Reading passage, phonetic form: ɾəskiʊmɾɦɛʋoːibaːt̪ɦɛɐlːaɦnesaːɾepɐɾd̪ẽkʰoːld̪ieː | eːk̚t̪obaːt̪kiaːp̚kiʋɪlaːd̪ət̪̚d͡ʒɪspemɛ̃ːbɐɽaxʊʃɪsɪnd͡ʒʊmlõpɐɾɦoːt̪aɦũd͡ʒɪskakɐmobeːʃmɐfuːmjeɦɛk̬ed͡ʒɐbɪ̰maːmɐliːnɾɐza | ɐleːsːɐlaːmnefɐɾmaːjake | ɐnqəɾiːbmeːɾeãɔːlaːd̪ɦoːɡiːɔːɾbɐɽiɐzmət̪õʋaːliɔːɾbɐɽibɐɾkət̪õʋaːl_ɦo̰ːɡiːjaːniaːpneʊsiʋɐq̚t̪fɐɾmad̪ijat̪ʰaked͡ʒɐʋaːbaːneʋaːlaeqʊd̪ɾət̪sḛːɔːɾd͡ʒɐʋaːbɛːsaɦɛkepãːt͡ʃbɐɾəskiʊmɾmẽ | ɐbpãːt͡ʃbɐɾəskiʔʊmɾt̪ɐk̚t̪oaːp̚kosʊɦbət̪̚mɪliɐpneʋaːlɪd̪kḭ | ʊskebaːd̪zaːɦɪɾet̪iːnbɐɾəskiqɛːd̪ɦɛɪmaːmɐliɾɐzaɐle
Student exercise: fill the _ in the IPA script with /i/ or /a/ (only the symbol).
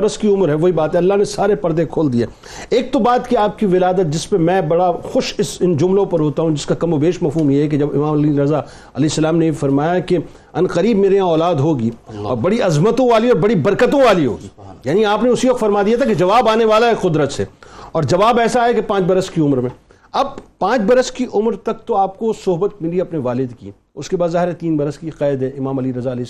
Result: i